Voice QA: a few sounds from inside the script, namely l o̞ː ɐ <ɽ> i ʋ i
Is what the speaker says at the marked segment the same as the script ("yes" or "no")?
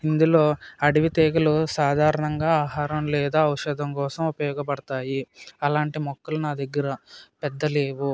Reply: yes